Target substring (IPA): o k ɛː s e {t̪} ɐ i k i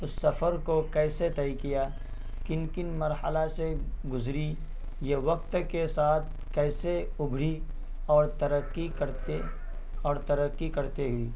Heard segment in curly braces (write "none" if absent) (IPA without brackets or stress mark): t̪